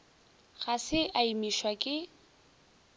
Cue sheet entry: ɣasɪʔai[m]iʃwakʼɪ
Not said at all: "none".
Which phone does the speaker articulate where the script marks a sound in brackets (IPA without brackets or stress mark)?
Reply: m